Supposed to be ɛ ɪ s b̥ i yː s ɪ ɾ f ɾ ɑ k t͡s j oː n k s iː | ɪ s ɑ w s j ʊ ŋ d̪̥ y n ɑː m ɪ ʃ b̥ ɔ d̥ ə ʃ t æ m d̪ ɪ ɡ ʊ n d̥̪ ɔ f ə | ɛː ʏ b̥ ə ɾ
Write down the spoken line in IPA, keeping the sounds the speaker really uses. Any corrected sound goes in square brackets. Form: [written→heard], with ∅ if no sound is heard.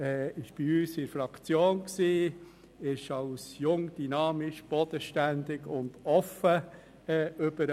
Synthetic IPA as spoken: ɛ ɪ [s→ʃ] b̥ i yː s ɪ ɾ f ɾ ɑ k t͡s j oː n k s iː | ɪ [s→ʃ] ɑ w s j ʊ ŋ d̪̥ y n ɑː m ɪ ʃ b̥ ɔ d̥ ə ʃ t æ [m→n] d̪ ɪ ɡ ʊ n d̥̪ ɔ f ə | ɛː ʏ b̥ ə ɾ